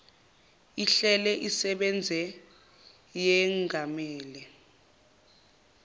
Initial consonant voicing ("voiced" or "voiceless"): voiceless